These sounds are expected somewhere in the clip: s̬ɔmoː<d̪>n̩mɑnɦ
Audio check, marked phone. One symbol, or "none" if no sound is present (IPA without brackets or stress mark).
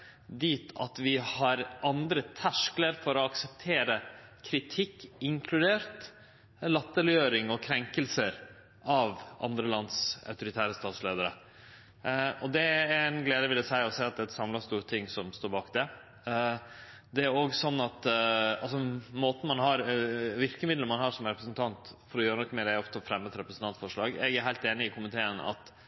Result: t̪